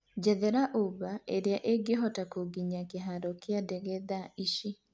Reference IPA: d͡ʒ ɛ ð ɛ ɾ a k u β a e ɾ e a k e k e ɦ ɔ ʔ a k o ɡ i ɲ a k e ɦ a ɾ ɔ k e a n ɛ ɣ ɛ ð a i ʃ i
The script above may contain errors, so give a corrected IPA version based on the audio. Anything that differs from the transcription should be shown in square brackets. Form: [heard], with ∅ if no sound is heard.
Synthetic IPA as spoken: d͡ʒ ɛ ð ɛ ɾ a [ʔ] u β a e ɾ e a [ʔ] e [ɡ] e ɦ ɔ [t] a k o ɡ i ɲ a k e ɦ a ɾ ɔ k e a [d] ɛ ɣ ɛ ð a i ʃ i